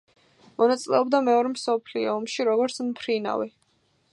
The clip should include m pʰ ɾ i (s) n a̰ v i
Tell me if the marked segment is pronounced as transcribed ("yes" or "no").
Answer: no